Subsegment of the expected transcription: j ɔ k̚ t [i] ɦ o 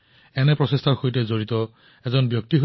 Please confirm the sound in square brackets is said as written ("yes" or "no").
yes